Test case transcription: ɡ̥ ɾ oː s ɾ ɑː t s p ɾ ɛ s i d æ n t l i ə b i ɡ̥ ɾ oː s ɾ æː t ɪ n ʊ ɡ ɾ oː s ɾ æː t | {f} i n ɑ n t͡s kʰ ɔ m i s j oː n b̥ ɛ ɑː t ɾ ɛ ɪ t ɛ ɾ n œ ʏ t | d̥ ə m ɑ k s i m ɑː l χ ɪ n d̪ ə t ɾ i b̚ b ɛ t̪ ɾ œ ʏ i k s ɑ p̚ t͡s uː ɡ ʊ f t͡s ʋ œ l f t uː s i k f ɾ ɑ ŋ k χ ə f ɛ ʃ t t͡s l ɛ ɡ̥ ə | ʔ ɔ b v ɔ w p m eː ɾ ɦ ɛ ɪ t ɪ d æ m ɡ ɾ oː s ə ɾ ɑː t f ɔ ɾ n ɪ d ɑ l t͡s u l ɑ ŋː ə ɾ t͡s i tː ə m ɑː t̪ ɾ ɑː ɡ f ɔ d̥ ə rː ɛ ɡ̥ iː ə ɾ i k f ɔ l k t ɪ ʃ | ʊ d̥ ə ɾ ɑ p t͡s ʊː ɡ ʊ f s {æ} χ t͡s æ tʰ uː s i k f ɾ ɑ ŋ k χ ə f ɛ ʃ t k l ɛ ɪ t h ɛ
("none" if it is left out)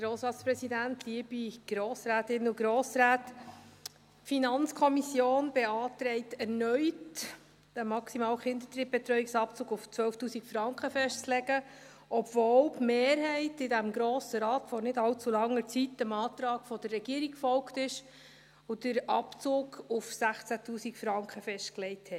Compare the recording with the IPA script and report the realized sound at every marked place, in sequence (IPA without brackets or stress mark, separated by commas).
f, æ